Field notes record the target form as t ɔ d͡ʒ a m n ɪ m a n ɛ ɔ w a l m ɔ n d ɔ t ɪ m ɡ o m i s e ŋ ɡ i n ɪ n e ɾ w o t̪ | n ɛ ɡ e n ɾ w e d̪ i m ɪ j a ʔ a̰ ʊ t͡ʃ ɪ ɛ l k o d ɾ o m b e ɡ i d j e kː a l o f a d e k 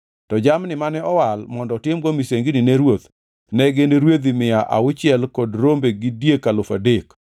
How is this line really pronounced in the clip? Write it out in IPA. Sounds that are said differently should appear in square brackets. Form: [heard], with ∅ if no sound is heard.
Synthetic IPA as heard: t ɔ d͡ʒ a m n ɪ m a n ɛ ɔ w a l m ɔ n d ɔ t ɪ m ɡ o m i s e ŋ ɡ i n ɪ n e ɾ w o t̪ | n ɛ ɡ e n ɾ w e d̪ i m ɪ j a ʔ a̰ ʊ t͡ʃ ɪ ɛ l k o d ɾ o m b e ɡ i d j e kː a l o f a d e k